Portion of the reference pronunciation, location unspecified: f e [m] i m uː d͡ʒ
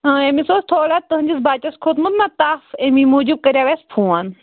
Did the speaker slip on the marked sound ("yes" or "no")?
no